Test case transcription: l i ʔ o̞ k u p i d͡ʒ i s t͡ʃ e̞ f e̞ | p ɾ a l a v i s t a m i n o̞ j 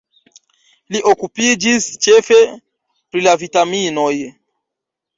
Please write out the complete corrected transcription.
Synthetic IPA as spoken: l i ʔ o̞ k u p i d͡ʒ i s t͡ʃ e̞ f e̞ | p ɾ i l a v i t a m i n o̞ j